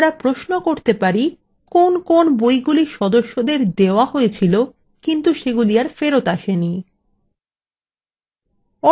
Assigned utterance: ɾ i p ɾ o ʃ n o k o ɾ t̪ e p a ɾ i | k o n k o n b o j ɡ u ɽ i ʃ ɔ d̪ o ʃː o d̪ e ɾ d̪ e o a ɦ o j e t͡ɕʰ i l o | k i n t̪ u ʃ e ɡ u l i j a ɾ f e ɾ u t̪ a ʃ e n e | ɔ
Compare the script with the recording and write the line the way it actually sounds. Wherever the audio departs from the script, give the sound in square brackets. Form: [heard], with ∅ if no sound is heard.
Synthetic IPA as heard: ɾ [a] p ɾ o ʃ n o k o ɾ t̪ e p a ɾ i | k o n k o n b o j ɡ u [l] i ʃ ɔ d̪ o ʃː o d̪ e ɾ d̪ e o a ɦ o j e t͡ɕʰ i l o | k i n t̪ u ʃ e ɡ u l i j a ɾ f e ɾ [o] t̪ a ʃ e n [i] | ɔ